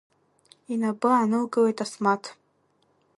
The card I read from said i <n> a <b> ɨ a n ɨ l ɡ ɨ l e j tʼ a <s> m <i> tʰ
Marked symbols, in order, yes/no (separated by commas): yes, yes, yes, no